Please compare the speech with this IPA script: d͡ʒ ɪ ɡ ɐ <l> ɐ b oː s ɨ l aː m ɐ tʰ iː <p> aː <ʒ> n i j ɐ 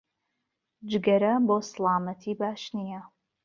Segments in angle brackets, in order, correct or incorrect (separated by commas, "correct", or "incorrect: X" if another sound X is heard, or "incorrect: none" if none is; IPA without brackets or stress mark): incorrect: ɾ, incorrect: b, incorrect: ʃ